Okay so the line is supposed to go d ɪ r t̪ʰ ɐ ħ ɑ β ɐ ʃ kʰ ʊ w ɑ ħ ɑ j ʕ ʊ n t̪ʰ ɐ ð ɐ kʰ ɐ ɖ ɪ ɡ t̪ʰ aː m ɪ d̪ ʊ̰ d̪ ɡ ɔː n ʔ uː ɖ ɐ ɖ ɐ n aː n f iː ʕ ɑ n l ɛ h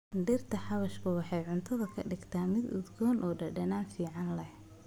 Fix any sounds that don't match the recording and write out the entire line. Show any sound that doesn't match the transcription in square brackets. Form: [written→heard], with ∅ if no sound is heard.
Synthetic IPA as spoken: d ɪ r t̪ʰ ɐ ħ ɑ β ɐ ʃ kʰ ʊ w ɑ ħ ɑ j ʕ ʊ n t̪ʰ ɐ ð ɐ kʰ ɐ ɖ ɪ ɡ t̪ʰ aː m ɪ d̪ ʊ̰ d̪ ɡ ɔː n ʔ [uː→ɔː] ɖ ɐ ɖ ɐ n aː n f iː ʕ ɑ n l ɛ h